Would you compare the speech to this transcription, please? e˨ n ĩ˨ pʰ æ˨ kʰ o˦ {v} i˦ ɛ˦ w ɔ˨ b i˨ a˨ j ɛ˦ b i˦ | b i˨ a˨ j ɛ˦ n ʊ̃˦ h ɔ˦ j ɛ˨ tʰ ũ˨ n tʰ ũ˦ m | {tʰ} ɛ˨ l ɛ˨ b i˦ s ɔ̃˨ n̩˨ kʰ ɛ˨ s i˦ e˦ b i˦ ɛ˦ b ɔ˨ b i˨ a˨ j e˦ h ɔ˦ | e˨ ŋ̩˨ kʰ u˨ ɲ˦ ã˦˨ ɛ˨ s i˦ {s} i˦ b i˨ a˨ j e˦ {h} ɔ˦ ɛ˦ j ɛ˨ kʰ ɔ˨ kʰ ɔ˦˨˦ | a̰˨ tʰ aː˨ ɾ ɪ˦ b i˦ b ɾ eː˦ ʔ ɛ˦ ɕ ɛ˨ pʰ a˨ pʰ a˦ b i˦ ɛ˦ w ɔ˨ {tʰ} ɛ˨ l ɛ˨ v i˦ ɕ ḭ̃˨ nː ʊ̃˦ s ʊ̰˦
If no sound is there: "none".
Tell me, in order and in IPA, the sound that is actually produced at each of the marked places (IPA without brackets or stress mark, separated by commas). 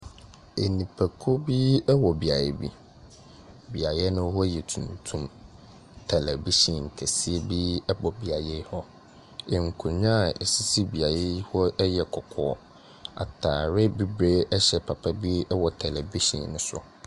b, tʰ, s, h, tʰ